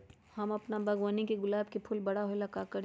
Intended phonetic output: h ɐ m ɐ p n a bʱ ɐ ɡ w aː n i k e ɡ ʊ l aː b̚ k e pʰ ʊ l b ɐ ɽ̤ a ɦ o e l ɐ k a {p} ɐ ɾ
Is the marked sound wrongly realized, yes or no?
yes